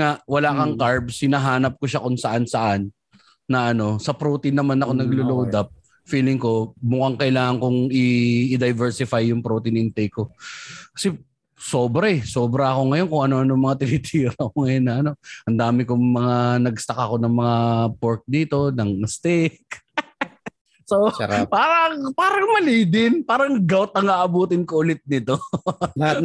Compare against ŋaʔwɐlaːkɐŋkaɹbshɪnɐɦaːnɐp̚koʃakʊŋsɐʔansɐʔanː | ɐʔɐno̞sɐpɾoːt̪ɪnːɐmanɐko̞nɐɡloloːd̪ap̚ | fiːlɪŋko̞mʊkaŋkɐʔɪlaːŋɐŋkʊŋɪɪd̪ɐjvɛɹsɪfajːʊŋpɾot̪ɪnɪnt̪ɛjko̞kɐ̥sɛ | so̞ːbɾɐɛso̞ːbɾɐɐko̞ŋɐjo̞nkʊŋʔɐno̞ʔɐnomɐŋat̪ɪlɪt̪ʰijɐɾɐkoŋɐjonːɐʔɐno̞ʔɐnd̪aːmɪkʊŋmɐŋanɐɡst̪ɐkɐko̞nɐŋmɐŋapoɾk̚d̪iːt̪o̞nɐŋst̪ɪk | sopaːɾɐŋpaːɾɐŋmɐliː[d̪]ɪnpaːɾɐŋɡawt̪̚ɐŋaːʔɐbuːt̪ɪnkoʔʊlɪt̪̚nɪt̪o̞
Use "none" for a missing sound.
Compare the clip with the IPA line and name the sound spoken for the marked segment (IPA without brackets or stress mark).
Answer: d̪